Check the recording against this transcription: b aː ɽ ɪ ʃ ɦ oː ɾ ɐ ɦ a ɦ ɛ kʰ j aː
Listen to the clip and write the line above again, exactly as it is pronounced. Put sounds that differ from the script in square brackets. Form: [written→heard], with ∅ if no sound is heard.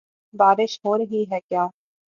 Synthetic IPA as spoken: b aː [ɽ→ɾ] ɪ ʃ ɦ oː ɾ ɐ ɦ [a→i] ɦ ɛ [kʰ→k] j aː